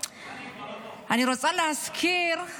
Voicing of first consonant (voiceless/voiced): voiced